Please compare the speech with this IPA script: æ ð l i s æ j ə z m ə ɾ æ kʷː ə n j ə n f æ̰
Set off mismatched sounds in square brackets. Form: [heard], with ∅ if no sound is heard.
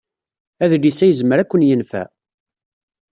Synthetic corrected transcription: æ ð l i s æ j ə z m ə ɾ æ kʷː ə n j ə n f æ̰

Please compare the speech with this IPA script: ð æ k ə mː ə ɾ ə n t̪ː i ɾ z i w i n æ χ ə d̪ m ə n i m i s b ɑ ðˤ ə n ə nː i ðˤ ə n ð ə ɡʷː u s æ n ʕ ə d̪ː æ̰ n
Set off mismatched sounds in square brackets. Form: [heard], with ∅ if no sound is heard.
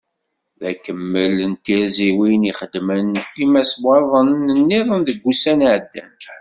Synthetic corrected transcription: ð æ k ə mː ə [l] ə n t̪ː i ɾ z i w i n [i] χ ə d̪ m ə n i m [æ] s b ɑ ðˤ ə n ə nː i ðˤ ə n ð ə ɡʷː u s æ n ʕ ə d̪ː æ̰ n

